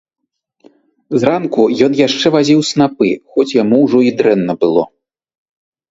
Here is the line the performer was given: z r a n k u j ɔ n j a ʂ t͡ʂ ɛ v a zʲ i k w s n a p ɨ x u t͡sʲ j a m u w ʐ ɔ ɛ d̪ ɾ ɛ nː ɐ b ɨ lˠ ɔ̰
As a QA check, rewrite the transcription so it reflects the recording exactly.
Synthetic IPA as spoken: z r a n k u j ɔ n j a ʂ t͡ʂ ɛ v a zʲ i w s n a p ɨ x ɔ t͡sʲ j a m u w ʐ ɔ i d̪ ɾ ɛ nː ɐ b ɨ lˠ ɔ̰

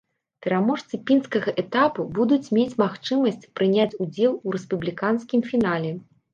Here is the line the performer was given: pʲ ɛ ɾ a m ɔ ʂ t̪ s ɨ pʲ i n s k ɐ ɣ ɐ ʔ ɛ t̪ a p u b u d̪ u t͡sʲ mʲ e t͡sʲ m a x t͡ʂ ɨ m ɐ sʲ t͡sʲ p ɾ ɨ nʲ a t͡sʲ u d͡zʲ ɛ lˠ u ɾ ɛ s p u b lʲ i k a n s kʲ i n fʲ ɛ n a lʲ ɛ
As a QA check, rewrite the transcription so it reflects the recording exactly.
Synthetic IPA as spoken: pʲ ɛ ɾ a m ɔ ʂ t̪ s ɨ pʲ i n s k ɐ ɣ ɐ ʔ ɛ t̪ a p u b u d̪ u t͡sʲ mʲ e t͡sʲ m a x t͡ʂ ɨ m ɐ sʲ t͡sʲ p ɾ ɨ nʲ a t͡sʲ u d͡zʲ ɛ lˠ u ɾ ɛ s p u b lʲ i k a n s kʲ i m fʲ i n a lʲ ɛ

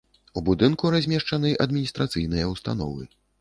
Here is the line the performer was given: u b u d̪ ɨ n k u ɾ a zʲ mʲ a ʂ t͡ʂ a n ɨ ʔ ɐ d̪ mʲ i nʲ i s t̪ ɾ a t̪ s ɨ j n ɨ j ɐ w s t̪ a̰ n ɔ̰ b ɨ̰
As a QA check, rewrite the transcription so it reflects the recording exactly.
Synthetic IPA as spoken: u b u d̪ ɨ n k u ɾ a zʲ mʲ ɛ ʂ t͡ʂ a n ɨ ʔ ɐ d̪ mʲ i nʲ i s t̪ ɾ a t̪ s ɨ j n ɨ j ɐ w s t̪ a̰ n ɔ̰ v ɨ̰

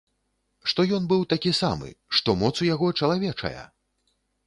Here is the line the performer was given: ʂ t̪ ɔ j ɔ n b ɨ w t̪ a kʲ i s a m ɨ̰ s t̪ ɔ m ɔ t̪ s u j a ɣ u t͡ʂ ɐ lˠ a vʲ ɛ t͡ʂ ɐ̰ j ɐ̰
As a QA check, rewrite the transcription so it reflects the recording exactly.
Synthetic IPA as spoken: ʂ t̪ ɔ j ɔ n b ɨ w t̪ a kʲ i s a m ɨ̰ ʂ t̪ ɔ m ɔ t̪ s u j a ɣ ɔ t͡ʂ ɐ lˠ a vʲ ɛ t͡ʂ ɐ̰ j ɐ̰

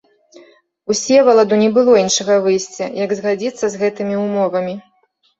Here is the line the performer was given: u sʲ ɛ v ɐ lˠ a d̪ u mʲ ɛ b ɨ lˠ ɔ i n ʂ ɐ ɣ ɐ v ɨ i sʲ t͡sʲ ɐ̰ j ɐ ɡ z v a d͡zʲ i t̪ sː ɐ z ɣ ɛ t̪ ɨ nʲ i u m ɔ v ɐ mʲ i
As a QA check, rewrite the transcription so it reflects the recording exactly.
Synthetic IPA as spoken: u sʲ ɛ v ɐ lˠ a d̪ u nʲ ɛ b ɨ lˠ ɔ i n ʂ ɐ ɣ ɐ v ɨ j sʲ t͡sʲ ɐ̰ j ɐ ɡ z ɣ a d͡zʲ i t̪ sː ɐ z ɣ ɛ t̪ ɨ mʲ i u m ɔ v ɐ mʲ i

